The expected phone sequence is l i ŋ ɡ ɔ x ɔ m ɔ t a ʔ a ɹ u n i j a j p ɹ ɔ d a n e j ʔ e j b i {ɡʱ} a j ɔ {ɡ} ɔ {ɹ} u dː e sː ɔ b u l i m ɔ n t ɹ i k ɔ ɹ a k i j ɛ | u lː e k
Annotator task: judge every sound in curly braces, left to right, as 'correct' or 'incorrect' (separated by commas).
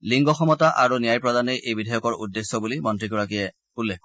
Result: incorrect, incorrect, correct